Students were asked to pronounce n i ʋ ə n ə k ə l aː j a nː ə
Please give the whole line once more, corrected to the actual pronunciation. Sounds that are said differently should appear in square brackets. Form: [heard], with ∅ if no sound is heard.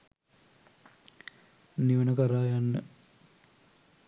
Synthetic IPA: n i ʋ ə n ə k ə [ɾ] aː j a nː ə